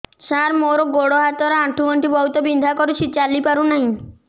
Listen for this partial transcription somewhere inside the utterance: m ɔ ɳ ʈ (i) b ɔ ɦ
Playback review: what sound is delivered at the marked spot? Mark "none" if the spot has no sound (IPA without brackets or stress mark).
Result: i